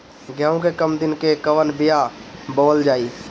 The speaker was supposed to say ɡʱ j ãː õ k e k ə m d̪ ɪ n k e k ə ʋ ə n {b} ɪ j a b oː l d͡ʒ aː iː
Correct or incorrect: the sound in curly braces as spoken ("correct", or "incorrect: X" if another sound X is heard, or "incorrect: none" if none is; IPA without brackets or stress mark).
correct